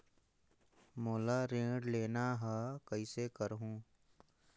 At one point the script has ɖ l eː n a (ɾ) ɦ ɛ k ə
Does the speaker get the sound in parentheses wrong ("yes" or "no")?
yes